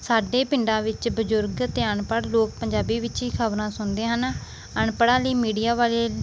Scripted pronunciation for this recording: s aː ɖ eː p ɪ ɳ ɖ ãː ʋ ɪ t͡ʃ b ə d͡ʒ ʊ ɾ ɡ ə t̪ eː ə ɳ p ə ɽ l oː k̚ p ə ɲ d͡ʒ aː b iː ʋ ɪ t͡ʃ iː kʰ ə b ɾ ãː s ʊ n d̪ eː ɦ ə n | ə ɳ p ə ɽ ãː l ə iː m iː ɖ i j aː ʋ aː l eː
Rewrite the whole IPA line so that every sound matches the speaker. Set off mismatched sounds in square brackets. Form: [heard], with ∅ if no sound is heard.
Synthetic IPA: s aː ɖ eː p ɪ ɳ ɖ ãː ʋ ɪ t͡ʃ b ə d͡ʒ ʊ ɾ ɡ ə t̪ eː ə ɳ p ə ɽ l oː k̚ p ə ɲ d͡ʒ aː b iː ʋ ɪ t͡ʃ iː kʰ ə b ɾ ãː s ʊ n d̪ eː ɦ ə n | ə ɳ p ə ɽ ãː l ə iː m iː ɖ i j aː ʋ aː l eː